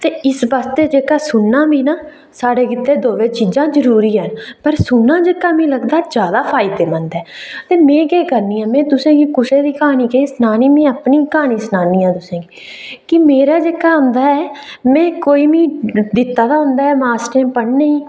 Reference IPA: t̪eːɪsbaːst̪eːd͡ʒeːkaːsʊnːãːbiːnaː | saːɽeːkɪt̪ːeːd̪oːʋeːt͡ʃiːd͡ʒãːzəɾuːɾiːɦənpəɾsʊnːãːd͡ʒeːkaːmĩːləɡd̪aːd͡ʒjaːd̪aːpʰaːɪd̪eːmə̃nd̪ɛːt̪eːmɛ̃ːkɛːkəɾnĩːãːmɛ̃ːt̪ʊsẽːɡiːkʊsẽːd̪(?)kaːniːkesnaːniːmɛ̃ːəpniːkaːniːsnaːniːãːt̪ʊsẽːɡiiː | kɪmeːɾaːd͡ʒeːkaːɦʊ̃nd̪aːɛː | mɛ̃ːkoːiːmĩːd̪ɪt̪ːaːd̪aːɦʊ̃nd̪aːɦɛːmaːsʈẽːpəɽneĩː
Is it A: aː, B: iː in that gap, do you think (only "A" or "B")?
B